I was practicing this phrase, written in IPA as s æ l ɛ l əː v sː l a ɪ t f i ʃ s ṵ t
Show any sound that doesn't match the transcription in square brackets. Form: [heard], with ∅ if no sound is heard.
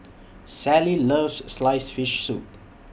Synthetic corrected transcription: s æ l [i] l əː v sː l a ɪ [s] f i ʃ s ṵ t